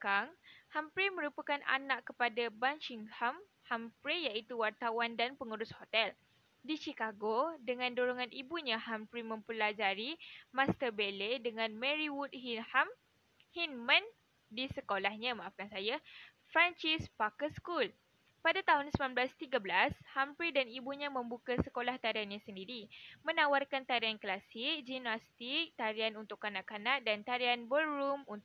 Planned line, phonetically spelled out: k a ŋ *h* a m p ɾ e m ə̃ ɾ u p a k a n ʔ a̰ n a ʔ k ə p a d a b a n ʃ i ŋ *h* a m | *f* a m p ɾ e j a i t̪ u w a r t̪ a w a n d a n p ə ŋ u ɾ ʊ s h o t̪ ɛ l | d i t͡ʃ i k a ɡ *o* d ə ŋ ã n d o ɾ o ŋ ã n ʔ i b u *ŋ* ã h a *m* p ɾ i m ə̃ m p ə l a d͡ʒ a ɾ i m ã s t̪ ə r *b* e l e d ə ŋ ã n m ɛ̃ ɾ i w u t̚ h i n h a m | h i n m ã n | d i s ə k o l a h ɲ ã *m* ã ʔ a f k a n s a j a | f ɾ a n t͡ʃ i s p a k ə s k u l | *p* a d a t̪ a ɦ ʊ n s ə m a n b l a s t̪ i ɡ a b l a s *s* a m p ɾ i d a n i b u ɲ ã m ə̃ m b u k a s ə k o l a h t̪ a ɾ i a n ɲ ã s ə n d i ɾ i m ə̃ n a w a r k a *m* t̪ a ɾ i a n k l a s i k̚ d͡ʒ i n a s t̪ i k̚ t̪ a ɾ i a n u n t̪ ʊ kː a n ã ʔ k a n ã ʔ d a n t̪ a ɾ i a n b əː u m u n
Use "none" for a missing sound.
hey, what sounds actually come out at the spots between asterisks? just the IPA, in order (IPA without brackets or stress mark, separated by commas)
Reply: h, h, h, o, ɲ, m, b, m, p, h, n